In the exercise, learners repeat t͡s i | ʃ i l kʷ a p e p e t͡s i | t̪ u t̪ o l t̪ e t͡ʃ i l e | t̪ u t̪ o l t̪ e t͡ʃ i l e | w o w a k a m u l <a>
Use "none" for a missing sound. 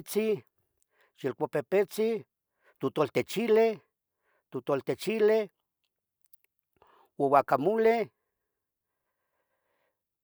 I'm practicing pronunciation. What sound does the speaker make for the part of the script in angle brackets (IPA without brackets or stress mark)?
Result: e